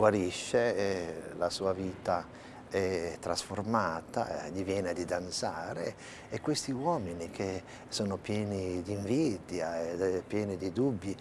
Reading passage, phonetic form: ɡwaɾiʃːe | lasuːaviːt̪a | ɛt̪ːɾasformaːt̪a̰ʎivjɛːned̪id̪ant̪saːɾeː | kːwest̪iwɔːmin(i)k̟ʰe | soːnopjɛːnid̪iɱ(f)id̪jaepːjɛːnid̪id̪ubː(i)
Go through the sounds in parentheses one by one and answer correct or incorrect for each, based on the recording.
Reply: correct, incorrect: v, correct

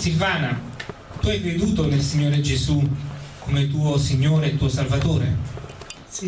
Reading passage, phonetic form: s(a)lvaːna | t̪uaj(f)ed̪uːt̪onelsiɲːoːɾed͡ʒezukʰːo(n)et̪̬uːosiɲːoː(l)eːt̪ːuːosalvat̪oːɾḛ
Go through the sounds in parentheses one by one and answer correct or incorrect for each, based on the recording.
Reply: incorrect: i, incorrect: v, incorrect: m, incorrect: ɾ

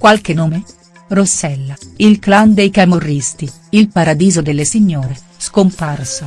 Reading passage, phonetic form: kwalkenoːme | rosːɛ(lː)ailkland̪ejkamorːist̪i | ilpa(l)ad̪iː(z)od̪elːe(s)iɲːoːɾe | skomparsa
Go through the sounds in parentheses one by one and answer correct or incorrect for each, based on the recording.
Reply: correct, incorrect: ɾ, correct, correct

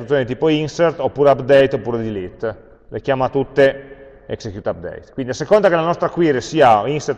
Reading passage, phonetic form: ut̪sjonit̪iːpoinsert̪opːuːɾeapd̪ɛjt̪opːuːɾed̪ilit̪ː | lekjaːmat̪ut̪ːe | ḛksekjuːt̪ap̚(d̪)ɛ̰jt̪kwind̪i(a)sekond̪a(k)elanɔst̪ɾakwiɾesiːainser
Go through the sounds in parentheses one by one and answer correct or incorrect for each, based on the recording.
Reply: correct, correct, correct

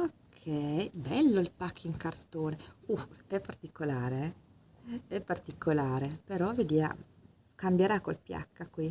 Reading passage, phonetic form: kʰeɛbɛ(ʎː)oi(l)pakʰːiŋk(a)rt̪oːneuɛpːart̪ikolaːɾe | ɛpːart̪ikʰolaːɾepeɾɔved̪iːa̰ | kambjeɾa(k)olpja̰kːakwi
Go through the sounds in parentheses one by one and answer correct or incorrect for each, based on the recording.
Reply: incorrect: lː, correct, correct, correct

